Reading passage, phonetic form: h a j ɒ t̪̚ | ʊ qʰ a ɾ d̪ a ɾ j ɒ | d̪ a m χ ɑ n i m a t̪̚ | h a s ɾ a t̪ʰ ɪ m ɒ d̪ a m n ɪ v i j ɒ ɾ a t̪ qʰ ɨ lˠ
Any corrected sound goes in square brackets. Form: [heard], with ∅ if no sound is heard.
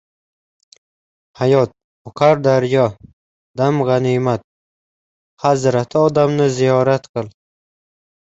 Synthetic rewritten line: h a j ɒ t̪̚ | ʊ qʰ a ɾ d̪ a ɾ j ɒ | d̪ a m [ʁ] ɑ n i m a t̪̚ | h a [z] ɾ a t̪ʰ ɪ [∅] ɒ d̪ a m n ɪ [z] i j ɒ ɾ a t̪ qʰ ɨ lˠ